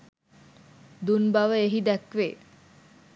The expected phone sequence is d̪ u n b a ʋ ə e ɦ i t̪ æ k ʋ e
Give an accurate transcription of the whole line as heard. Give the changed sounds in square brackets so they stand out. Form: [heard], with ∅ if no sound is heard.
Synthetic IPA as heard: d̪ u n b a ʋ ə e ɦ i [d̪] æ k ʋ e